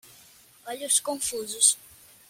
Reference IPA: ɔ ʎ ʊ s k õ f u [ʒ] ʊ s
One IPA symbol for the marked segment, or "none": z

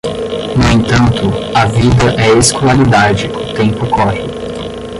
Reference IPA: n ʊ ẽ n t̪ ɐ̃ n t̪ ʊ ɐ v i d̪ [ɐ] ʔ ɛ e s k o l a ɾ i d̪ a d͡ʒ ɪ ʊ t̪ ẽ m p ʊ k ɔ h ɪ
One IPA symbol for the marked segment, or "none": ɐ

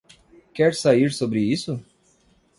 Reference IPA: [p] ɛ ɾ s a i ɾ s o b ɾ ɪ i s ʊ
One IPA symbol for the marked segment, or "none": k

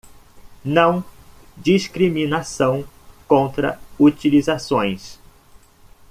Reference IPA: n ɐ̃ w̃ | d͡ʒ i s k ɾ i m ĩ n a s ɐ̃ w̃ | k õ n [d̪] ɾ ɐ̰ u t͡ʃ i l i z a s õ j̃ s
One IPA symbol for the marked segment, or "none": t̪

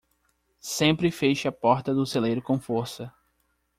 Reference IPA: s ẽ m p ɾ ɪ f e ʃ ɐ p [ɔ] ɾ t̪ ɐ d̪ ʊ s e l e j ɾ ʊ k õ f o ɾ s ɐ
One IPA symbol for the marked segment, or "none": ɔ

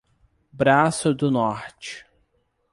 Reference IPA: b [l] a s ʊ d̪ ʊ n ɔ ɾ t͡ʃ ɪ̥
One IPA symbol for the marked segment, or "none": ɾ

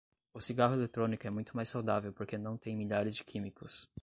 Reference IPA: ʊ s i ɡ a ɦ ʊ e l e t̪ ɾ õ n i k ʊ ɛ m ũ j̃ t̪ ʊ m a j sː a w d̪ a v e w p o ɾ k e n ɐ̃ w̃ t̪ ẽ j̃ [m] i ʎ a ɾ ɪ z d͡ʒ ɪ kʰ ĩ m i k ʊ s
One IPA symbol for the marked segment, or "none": m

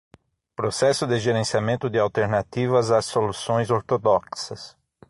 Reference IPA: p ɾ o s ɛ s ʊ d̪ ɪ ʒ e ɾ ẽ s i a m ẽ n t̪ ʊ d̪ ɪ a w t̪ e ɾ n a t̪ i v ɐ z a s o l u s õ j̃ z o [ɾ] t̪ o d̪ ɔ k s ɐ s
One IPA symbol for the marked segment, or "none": ɾ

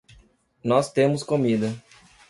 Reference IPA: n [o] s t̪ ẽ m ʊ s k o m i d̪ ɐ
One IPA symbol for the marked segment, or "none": ɔ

